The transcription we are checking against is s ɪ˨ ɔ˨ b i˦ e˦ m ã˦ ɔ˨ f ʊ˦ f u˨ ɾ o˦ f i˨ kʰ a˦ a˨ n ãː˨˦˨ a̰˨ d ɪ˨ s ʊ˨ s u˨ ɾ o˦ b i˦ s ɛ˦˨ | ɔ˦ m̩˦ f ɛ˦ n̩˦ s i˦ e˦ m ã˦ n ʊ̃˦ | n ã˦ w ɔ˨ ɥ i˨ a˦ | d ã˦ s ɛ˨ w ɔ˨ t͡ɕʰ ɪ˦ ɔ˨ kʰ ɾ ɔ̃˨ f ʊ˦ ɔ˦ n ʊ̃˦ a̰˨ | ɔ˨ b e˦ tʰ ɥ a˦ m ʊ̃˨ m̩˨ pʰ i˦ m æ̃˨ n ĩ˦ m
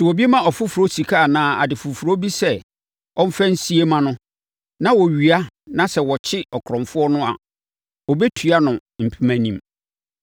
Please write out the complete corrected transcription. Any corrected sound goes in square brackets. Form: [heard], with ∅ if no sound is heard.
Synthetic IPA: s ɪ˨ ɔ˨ b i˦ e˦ m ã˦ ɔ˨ f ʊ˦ f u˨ ɾ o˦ [s] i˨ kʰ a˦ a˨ n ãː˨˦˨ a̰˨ d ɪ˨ [f] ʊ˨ [f] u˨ ɾ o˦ b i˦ s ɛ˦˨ | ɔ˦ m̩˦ f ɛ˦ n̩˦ s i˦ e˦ m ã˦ n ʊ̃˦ | n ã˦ w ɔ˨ ɥ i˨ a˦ | [n] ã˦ s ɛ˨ w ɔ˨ t͡ɕʰ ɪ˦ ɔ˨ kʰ ɾ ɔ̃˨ f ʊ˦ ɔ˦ n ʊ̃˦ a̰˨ | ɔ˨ b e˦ tʰ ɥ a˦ [n] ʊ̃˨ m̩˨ pʰ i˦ m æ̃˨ n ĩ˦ m